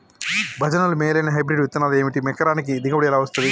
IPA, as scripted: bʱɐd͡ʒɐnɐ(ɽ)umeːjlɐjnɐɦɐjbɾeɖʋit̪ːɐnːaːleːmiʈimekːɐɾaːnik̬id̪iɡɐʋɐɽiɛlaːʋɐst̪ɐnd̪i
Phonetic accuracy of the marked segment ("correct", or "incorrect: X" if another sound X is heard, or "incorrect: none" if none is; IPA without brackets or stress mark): incorrect: l